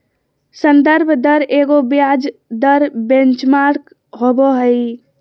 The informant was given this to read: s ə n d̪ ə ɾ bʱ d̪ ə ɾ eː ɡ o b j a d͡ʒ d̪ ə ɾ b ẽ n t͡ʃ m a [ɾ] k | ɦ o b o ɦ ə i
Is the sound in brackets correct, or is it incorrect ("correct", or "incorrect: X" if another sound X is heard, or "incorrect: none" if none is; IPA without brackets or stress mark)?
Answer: correct